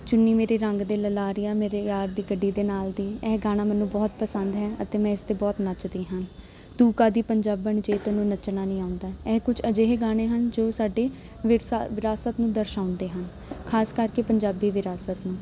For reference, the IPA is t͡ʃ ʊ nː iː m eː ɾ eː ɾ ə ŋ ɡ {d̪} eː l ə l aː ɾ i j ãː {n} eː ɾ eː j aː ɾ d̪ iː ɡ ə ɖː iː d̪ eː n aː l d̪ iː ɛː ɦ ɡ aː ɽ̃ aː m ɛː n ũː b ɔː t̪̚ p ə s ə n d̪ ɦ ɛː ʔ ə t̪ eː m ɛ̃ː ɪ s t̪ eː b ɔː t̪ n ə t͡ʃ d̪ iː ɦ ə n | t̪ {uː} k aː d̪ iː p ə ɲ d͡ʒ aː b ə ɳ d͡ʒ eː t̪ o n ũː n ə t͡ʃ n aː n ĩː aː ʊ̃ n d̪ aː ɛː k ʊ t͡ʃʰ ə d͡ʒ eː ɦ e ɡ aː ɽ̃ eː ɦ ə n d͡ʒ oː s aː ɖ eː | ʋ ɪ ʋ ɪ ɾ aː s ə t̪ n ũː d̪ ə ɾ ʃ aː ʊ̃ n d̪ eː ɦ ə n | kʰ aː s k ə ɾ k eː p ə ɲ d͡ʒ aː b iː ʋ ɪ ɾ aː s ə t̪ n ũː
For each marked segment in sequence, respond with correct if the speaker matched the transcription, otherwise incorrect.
correct, incorrect: m, correct

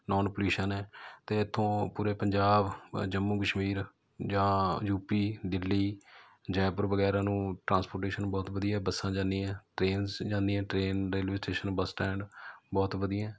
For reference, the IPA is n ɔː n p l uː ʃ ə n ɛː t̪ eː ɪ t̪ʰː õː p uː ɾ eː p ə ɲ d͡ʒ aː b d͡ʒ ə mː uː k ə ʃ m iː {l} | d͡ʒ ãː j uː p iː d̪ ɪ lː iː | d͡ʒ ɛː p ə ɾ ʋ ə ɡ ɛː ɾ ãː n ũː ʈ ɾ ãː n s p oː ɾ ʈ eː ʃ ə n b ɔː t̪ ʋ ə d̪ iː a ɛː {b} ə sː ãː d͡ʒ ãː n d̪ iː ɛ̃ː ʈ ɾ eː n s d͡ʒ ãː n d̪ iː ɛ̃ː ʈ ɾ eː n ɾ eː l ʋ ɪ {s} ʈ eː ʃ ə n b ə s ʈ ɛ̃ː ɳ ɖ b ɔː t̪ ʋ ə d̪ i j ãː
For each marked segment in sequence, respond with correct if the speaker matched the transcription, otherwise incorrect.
incorrect: ɾ, correct, correct

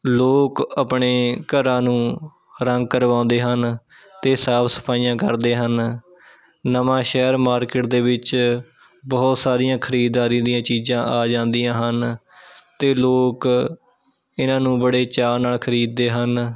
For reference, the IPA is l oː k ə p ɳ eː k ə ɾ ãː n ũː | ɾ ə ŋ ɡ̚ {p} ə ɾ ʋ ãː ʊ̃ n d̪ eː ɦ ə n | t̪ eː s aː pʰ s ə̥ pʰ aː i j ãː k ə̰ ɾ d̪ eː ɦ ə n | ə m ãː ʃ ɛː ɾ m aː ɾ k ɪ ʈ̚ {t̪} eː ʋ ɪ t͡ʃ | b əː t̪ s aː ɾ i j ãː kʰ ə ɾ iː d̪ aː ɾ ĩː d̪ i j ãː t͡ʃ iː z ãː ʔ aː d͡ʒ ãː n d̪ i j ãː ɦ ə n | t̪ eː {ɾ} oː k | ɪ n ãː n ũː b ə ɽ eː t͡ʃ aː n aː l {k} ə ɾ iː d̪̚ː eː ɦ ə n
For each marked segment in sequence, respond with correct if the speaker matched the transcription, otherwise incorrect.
incorrect: k, incorrect: d̪, incorrect: l, incorrect: kʰ

